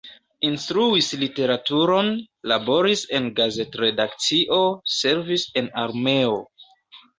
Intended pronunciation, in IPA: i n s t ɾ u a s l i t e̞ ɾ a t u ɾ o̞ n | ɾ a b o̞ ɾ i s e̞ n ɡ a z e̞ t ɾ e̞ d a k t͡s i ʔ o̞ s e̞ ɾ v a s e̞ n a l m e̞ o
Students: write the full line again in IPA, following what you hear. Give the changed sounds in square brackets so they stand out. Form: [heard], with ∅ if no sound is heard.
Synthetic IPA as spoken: i n s t ɾ u [i] s l i t e̞ ɾ a t u ɾ o̞ n | [l] a b o̞ ɾ i s e̞ n ɡ a z e̞ t ɾ e̞ d a k t͡s i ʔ o̞ s e̞ ɾ v [i] s e̞ n a [ɾ] m e̞ o